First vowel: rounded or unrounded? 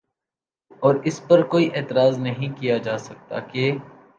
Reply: rounded